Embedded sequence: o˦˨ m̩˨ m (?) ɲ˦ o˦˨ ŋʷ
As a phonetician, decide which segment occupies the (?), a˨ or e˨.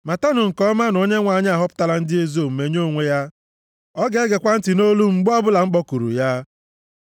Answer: e˨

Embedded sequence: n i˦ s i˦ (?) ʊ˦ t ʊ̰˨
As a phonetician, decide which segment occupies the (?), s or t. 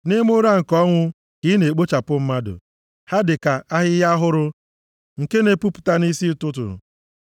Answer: t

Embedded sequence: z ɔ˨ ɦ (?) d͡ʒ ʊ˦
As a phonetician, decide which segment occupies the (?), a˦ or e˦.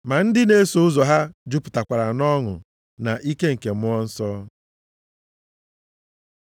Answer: a˦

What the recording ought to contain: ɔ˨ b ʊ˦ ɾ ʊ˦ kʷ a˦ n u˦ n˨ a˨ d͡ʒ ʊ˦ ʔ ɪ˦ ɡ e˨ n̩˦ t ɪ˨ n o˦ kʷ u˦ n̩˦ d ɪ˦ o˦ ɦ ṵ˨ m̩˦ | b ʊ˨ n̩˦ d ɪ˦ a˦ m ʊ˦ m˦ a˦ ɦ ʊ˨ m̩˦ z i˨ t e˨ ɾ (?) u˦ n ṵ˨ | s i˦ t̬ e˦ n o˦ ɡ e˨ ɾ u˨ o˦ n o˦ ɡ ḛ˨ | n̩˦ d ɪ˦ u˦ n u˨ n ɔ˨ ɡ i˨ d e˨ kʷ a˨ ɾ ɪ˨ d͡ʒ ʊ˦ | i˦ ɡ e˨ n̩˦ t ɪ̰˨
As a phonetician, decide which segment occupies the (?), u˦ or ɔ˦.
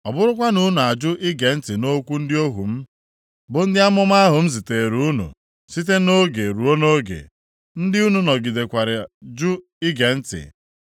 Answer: u˦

